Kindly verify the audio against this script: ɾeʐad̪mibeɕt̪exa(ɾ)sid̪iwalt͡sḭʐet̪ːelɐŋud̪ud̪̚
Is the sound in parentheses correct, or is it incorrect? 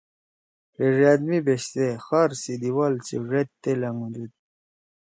correct